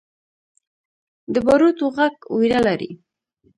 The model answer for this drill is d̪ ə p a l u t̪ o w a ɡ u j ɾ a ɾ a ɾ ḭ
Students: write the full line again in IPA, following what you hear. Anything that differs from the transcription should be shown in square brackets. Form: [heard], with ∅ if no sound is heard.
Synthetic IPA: d̪ ə [b] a [ɾ] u t̪ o [ɣ] a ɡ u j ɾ a [l] a ɾ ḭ

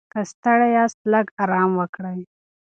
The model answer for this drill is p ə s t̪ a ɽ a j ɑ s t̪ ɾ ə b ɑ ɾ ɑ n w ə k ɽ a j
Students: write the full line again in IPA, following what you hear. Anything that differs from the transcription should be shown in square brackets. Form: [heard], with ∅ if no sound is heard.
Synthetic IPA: [k] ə s t̪ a ɽ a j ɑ s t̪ [l] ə [ɡ] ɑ ɾ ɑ [m] w ə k ɽ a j

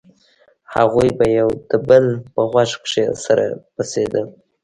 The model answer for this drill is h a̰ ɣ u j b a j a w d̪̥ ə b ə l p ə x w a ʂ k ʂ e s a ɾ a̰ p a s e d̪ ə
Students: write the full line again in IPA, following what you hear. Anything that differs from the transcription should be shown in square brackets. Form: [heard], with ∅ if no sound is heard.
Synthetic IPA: h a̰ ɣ u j b a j a w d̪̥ ə b ə l p ə [ɣ] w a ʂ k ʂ e s a ɾ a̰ p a s e d̪ ə

